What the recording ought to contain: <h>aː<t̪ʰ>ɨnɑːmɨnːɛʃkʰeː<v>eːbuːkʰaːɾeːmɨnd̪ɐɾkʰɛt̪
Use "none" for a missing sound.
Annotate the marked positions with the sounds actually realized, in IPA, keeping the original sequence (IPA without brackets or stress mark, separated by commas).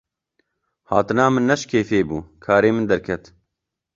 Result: h, t̪, f